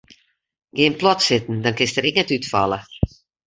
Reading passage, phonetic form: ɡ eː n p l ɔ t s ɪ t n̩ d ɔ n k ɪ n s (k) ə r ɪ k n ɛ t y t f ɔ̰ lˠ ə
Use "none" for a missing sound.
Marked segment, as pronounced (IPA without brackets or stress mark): t